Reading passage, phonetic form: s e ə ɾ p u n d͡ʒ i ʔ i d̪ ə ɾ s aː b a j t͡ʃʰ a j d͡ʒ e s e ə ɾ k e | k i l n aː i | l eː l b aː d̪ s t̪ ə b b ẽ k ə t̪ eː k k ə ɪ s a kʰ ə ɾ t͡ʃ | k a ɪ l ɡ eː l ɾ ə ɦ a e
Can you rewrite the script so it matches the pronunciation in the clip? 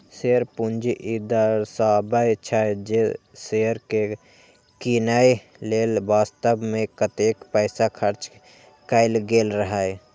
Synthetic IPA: s e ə ɾ p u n d͡ʒ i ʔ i d̪ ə ɾ s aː b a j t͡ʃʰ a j d͡ʒ e s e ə ɾ k e | k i n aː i | l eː l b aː s t̪ ə b m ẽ k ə t̪ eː k p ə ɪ s a kʰ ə ɾ t͡ʃ | k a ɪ l ɡ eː l ɾ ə ɦ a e